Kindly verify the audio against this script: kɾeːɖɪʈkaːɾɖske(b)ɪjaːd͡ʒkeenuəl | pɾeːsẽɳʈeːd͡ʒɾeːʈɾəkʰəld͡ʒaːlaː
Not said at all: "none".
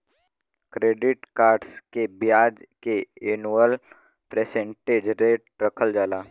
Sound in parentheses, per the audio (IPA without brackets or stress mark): b